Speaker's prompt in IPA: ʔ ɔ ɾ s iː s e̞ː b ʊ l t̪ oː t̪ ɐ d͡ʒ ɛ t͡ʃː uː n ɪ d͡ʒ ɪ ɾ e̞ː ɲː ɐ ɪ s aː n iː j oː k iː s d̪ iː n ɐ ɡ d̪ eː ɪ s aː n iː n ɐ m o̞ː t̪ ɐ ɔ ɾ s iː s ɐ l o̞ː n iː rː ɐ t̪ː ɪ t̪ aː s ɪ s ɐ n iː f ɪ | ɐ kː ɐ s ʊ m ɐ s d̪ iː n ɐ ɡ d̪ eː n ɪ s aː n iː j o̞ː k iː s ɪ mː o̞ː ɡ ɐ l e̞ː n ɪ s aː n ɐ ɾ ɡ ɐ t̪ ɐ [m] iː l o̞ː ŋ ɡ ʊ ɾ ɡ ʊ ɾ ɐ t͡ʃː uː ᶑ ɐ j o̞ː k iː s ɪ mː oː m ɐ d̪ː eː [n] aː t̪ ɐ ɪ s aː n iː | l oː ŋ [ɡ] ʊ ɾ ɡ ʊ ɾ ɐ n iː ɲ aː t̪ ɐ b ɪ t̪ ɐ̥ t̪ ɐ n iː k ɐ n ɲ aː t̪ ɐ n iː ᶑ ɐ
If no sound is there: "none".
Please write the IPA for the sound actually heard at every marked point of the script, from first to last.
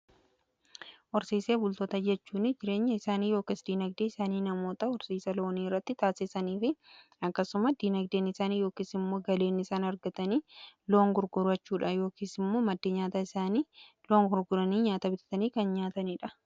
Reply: n, ɲ, ɡ

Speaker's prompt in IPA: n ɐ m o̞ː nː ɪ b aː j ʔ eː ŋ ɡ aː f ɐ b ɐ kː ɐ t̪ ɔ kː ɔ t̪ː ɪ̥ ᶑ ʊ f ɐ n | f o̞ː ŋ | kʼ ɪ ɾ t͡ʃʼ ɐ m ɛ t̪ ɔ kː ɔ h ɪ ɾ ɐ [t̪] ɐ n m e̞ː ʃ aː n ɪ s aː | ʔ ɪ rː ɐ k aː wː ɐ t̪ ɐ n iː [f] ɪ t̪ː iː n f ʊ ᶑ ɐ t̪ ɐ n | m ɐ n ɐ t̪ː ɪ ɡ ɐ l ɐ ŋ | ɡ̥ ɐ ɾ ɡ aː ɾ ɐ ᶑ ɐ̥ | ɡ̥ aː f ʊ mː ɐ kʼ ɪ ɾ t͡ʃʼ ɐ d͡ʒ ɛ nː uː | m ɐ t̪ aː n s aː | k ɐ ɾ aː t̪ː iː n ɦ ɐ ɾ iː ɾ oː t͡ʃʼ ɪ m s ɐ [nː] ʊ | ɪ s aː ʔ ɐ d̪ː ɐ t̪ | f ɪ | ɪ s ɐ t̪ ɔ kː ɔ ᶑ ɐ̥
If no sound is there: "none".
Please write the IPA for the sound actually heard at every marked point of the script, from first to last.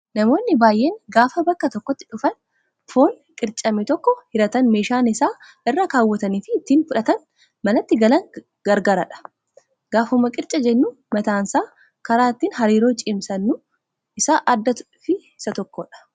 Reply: t̪, f, nː

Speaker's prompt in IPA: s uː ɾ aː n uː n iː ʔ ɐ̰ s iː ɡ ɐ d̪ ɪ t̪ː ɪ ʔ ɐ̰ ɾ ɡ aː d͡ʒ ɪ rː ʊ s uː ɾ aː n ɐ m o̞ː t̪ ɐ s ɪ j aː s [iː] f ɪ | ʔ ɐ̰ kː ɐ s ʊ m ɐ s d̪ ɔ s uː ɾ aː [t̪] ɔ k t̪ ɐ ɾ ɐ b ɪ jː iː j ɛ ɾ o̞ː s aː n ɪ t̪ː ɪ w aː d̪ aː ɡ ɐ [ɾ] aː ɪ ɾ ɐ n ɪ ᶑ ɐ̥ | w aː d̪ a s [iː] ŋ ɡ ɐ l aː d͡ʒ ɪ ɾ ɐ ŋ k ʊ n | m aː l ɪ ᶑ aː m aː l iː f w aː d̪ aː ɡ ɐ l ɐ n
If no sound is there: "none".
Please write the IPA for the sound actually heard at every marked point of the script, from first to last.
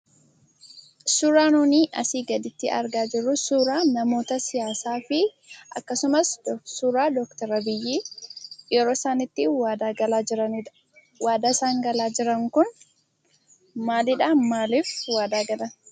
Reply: aː, d̪, l, aː

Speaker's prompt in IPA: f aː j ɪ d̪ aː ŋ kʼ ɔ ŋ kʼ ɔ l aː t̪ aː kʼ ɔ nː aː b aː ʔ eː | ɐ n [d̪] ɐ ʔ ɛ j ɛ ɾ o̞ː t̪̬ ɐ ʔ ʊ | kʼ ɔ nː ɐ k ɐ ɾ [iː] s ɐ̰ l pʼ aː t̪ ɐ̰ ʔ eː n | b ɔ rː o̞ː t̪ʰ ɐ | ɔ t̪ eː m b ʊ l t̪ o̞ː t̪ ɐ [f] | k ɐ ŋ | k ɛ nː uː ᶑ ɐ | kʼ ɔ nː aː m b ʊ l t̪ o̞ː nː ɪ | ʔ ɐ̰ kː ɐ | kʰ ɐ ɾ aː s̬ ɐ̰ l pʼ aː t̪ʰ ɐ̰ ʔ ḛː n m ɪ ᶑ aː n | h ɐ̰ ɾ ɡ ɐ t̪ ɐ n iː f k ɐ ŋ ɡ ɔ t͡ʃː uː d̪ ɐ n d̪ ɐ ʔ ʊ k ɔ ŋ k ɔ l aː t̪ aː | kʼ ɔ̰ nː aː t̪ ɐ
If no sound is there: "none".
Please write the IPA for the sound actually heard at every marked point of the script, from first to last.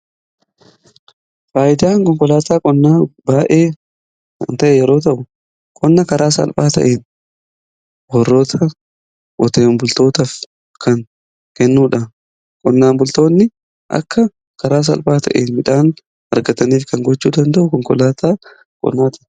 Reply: t̪, aː, f

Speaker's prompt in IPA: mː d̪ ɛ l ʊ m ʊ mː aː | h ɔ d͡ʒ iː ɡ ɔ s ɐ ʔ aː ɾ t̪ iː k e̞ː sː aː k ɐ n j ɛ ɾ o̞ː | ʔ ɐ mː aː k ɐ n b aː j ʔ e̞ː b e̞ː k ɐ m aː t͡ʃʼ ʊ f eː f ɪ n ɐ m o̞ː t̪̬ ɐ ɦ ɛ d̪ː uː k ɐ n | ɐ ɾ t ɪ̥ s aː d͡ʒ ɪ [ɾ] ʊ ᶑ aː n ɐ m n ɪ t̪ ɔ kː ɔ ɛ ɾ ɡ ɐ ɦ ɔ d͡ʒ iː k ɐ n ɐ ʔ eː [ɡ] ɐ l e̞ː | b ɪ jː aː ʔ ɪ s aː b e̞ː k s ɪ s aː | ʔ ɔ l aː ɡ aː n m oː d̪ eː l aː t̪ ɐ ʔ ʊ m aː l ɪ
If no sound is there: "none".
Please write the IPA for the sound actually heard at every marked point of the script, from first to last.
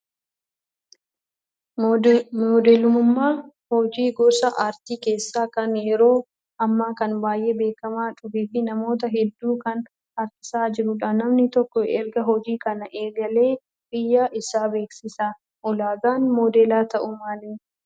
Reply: ɾ, ɡ

